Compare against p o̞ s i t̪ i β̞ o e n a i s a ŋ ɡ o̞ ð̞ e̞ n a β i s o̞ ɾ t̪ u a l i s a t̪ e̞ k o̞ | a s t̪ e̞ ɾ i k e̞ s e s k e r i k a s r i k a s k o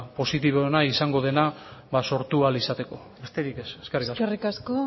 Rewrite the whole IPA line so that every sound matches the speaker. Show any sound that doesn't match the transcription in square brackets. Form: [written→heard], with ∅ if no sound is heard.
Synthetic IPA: p o̞ s i t̪ i β̞ o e n a i s a ŋ ɡ o̞ ð̞ e̞ n a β [i→a] s o̞ ɾ t̪ u a l i s a t̪ e̞ k o̞ | [a→e] s t̪ e̞ ɾ i k e̞ s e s k e r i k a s r i k a s k o

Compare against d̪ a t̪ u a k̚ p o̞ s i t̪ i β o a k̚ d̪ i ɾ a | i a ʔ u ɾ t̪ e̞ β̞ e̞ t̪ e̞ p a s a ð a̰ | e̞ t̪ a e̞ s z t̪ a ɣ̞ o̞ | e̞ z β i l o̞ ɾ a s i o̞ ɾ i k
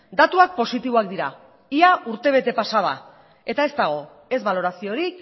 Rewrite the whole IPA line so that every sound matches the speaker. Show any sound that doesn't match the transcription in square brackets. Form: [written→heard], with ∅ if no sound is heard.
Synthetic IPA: d̪ a t̪ u a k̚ p o̞ s i t̪ i β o a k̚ d̪ i ɾ a | i a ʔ u ɾ t̪ e̞ β̞ e̞ t̪ e̞ p a s a ð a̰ | e̞ t̪ a e̞ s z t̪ a ɣ̞ o̞ | e̞ z β [i→a] l o̞ ɾ a s i o̞ ɾ i k

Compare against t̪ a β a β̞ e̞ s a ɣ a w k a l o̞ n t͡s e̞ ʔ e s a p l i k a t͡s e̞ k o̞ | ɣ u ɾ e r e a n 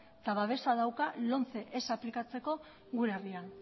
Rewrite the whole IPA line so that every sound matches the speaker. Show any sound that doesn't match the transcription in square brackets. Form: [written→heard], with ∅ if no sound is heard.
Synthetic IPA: t̪ a β a β̞ e̞ s a [ɣ→ð] a w k a l o̞ n t͡s e̞ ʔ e s a p l i k a t͡s e̞ k o̞ | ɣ u ɾ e r [e→i] a n

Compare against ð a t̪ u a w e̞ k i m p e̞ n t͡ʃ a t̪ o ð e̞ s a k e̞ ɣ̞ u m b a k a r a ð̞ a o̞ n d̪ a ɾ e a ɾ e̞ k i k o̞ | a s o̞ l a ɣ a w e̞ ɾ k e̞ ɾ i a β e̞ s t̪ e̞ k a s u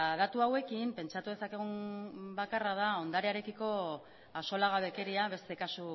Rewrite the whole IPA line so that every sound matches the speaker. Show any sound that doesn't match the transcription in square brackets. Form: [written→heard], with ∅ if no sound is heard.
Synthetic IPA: ð a t̪ u a w e̞ k i m p e̞ n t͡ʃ a t̪ [o→u] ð e̞ s a k e̞ ɣ̞ u m b a k a r a ð̞ a o̞ n d̪ a ɾ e a ɾ e̞ k i k o̞ | a s o̞ l a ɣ a [w→β] e̞ [ɾ→∅] k e̞ ɾ i a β e̞ s t̪ e̞ k a s u

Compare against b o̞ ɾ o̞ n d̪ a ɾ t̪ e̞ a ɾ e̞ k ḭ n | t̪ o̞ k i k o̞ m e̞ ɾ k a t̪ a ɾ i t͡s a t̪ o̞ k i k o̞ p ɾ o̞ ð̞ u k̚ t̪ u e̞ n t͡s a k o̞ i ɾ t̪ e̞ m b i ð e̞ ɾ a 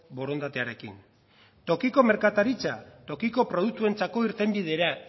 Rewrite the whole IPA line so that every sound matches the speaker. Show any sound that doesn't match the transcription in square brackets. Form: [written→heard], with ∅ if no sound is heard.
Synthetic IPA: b o̞ ɾ o̞ n d̪ a [ɾ→∅] t̪ e̞ a ɾ e̞ k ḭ n | t̪ o̞ k i k o̞ m e̞ ɾ k a t̪ a ɾ i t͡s a t̪ o̞ k i k o̞ p ɾ o̞ ð̞ u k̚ t̪ u e̞ n t͡s a k o̞ i ɾ t̪ e̞ m b i ð e̞ ɾ a

